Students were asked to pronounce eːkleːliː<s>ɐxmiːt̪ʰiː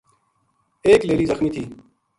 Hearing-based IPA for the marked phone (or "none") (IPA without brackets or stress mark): z